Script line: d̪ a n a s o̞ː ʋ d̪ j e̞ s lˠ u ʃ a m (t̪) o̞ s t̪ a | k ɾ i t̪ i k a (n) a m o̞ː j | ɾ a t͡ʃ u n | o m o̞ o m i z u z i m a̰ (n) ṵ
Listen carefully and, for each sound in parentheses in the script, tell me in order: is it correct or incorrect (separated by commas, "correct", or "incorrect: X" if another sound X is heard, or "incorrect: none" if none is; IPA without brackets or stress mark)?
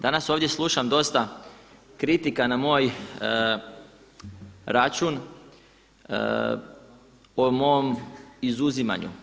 incorrect: d̪, correct, incorrect: ɲ